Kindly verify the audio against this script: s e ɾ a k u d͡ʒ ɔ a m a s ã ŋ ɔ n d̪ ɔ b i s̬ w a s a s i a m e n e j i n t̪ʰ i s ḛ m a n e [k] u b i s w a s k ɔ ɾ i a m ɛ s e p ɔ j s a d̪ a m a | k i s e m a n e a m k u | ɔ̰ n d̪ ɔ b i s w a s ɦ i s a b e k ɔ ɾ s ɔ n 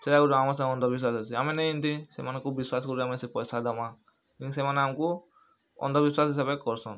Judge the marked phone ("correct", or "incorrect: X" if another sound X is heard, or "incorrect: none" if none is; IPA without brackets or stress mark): correct